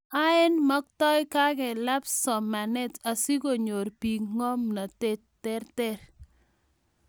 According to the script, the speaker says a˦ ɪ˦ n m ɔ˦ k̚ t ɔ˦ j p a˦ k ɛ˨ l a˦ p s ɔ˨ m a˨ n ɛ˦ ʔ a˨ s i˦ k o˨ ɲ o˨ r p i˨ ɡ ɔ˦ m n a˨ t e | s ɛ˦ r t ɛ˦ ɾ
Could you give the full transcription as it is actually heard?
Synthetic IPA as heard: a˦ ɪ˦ n m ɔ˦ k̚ t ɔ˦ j k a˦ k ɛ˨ l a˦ p s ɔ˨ m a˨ n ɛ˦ t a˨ s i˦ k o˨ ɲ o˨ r p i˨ ŋ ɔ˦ m n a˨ t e | t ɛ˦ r t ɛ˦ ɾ